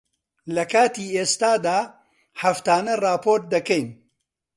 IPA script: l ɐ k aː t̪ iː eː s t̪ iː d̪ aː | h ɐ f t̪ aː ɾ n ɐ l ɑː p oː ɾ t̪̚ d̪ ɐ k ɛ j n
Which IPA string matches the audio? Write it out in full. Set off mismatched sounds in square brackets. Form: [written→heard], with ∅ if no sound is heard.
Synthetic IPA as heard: l ɐ k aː t̪ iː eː s t̪ [iː→aː] d̪ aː | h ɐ f t̪ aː [ɾ→∅] n ɐ [l→r] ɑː p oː ɾ t̪̚ d̪ ɐ k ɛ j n